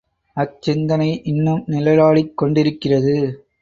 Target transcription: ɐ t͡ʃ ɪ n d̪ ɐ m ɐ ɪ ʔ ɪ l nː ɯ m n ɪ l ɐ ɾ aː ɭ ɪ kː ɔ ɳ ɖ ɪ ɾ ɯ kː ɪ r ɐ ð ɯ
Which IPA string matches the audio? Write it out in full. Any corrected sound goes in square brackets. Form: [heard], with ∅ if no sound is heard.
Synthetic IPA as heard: ɐ t͡ʃ ɪ n d̪ ɐ [n] ɐ ɪ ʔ ɪ [∅] nː ɯ m n ɪ l ɐ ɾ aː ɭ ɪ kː ɔ ɳ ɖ ɪ ɾ ɯ kː ɪ r ɐ ð ɯ